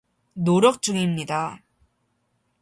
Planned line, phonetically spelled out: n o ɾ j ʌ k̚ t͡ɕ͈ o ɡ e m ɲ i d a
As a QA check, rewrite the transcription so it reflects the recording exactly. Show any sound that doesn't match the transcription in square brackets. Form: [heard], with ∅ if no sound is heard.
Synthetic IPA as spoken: n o ɾ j ʌ k̚ t͡ɕ͈ [u] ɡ [i] m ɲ i d a